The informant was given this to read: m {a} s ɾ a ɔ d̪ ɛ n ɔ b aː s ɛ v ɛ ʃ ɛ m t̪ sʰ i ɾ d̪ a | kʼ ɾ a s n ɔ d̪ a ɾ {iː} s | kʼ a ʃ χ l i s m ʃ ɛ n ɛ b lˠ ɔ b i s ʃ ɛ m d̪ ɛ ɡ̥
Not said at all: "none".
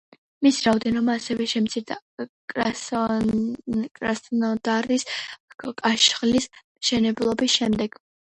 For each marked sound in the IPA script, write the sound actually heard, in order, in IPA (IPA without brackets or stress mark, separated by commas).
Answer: i, i